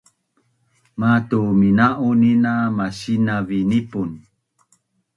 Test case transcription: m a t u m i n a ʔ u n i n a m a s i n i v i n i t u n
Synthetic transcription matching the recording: m a t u m i n a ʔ u n i n a m a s i n a v i n i p u n